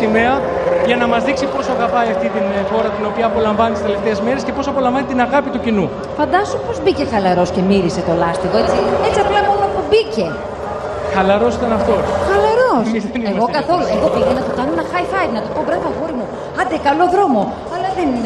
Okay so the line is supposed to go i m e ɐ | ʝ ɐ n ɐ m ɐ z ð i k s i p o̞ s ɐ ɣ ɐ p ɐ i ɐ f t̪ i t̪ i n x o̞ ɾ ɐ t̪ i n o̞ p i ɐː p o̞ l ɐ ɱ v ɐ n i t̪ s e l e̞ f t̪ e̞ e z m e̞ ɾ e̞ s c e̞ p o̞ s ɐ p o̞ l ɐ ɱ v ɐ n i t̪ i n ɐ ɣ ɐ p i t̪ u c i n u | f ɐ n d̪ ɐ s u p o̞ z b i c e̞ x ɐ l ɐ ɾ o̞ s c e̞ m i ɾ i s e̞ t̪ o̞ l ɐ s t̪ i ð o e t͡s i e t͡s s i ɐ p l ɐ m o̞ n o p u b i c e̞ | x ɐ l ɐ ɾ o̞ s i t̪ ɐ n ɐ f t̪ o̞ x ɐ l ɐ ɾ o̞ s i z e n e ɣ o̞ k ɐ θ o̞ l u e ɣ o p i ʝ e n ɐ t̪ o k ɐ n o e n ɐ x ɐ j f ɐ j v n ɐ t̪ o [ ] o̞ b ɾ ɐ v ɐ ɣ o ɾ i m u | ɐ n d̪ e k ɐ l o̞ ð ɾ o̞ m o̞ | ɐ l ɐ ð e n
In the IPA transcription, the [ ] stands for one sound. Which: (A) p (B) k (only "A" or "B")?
A